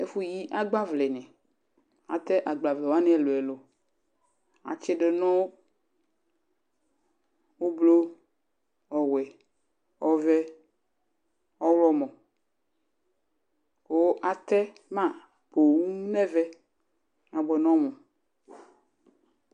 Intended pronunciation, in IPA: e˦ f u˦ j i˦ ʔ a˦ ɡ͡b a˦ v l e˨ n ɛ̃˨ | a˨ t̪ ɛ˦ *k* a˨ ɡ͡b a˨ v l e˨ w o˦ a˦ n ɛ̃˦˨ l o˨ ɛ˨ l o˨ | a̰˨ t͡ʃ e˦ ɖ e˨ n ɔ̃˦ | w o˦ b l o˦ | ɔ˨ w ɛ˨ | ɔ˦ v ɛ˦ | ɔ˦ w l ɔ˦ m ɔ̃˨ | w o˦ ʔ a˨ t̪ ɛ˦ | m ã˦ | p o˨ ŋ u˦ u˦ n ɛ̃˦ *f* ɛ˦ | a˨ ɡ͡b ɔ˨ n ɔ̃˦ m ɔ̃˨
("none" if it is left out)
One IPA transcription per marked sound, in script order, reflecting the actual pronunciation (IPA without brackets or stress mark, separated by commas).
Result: ʔ, v